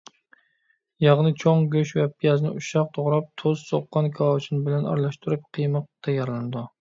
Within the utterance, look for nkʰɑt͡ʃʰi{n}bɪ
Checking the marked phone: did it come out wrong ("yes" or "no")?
no